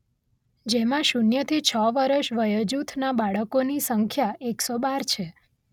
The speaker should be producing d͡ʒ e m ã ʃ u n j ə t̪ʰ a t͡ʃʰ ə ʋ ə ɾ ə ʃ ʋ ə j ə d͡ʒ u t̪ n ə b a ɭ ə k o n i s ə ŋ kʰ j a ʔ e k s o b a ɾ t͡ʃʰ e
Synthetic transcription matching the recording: d͡ʒ e m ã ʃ u n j ə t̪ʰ i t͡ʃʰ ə ʋ ə ɾ ə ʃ ʋ ə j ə d͡ʒ u t̪ʰ n a b a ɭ ə k o n i s ə ŋ kʰ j a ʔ e k s o b a ɾ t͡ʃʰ e